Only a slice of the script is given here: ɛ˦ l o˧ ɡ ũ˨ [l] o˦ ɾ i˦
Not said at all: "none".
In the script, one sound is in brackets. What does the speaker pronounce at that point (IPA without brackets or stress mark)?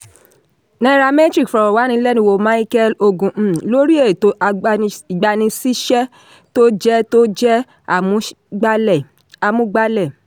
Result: l